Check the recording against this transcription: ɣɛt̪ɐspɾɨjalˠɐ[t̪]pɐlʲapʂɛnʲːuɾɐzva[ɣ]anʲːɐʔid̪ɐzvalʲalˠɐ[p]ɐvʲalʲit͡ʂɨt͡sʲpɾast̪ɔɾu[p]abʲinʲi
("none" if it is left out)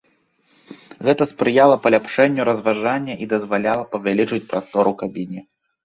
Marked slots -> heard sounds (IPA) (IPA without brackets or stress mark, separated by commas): none, ʐ, p, k